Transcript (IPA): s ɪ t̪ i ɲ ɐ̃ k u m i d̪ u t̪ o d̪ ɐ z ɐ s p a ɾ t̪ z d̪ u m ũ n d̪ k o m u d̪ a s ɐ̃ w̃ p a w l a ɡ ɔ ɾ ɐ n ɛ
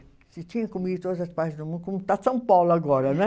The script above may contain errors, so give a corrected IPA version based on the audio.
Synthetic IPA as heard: s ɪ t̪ i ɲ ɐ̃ k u m i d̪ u t̪ o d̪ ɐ z ɐ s p a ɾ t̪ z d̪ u m ũ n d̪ k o m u t̪ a s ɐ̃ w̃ p a w l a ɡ ɔ ɾ ɐ n ɛ